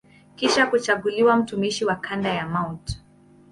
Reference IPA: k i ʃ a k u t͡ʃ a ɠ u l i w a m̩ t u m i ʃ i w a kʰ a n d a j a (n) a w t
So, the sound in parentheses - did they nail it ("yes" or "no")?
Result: no